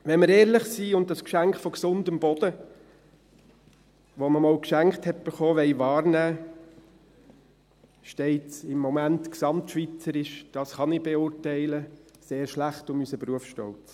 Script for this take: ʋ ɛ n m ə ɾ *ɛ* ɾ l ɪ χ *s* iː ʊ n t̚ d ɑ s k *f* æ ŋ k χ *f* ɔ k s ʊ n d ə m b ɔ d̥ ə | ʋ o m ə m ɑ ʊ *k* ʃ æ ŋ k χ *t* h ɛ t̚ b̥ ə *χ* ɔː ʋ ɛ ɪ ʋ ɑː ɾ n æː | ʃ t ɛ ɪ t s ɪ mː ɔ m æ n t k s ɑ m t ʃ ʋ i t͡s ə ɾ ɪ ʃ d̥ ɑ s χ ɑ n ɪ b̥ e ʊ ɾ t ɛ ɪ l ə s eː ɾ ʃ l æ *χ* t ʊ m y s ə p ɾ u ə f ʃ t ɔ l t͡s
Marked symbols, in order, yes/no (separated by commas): no, yes, no, yes, yes, yes, yes, yes